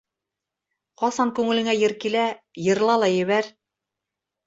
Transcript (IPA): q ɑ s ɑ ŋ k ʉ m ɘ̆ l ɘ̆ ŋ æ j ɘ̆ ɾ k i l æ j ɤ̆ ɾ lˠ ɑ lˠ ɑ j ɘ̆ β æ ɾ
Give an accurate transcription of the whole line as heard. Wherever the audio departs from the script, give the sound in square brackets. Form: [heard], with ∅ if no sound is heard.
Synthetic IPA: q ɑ s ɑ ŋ k ʉ [ŋ] ɘ̆ l ɘ̆ ŋ æ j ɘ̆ ɾ k i l æ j ɤ̆ ɾ lˠ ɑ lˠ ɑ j ɘ̆ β æ ɾ